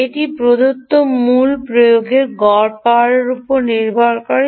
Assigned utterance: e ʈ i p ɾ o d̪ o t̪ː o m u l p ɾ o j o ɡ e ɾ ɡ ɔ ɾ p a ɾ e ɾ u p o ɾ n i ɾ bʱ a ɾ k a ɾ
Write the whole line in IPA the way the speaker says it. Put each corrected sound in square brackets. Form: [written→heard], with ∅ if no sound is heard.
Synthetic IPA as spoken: e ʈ i p ɾ o d̪ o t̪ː o m u l p ɾ o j o ɡ e ɾ ɡ ɔ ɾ p a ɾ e ɾ u p o ɾ n i ɾ bʱ a ɾ k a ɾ